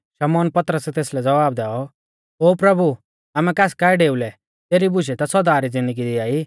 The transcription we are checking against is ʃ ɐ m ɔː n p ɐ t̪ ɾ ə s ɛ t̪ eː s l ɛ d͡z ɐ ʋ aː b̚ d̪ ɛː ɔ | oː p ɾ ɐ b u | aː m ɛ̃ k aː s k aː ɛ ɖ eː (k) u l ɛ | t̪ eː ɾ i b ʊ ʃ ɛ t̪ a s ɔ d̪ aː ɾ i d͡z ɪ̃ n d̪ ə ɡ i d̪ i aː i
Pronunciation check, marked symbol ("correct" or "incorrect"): incorrect